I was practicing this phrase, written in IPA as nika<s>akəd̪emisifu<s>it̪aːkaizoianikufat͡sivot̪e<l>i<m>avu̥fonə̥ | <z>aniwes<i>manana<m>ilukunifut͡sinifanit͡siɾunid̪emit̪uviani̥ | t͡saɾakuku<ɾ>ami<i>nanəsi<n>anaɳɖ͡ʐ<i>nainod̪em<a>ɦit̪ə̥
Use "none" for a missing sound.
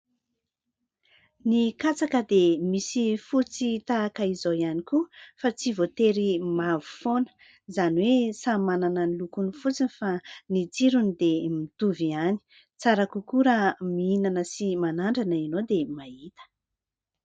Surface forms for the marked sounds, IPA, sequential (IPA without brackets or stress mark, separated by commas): t͡s, t͡s, ɾ, m, z, a, n, ɾ, i, m, a, a